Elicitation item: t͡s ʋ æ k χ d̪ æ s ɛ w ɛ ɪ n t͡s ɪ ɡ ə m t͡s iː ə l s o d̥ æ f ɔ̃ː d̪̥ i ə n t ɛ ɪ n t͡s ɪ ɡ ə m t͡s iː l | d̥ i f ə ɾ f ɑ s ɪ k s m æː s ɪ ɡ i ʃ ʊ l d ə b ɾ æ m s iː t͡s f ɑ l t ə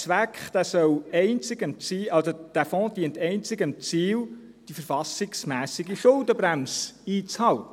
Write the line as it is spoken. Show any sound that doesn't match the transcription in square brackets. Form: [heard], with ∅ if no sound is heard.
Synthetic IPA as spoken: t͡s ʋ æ k χ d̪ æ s [œ] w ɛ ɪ n t͡s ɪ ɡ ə m t͡s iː [ɑ] l s o d̥ æ f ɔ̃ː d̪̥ i ə n t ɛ ɪ n t͡s ɪ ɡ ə m t͡s iː l | d̥ i f ə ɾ f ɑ s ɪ k s m æː s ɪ ɡ i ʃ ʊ l d ə b ɾ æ m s iː t͡s [h] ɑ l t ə